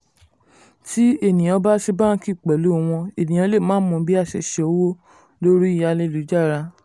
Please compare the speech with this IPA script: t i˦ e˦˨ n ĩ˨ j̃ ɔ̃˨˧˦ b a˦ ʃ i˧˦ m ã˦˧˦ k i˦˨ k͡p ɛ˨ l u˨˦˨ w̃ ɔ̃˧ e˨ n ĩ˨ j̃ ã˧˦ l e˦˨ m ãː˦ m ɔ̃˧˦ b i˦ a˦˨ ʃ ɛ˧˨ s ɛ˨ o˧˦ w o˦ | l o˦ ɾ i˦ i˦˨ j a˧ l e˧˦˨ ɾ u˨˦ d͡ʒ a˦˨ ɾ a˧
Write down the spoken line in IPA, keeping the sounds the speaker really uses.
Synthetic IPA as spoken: t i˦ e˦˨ n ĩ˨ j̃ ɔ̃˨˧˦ b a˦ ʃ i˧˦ b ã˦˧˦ k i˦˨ k͡p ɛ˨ l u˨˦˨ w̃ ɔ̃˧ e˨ n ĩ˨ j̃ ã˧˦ l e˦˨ m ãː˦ m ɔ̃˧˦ b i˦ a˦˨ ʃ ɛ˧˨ ʃ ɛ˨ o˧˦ w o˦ | l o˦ ɾ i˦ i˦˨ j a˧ l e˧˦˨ l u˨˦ d͡ʒ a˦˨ ɾ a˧